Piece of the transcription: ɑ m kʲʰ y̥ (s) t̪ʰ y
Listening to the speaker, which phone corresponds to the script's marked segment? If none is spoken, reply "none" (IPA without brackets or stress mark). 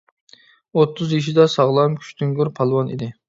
ʃ